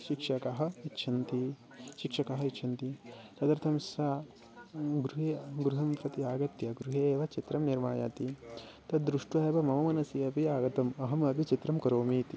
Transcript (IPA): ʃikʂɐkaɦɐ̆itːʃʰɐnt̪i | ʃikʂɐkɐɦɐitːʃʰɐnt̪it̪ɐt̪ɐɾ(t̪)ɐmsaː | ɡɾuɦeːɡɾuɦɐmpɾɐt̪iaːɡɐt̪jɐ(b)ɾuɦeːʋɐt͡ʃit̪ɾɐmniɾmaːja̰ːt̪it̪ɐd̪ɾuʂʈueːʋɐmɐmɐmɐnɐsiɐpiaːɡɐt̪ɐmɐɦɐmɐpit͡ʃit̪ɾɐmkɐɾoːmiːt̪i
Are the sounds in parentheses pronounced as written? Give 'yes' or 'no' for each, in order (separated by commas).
no, no